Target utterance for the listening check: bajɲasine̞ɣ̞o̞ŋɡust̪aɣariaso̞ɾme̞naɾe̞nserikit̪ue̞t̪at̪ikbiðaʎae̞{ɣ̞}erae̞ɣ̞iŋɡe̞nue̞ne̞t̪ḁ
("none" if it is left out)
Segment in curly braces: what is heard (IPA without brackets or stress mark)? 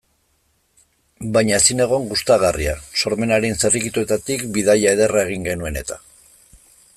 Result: ð̞